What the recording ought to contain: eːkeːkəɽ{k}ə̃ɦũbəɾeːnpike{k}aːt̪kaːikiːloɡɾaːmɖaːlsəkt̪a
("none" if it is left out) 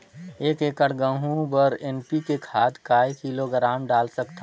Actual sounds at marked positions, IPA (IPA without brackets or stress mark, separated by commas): ɡ, kʰ